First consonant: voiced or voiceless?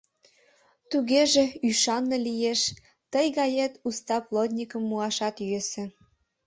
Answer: voiceless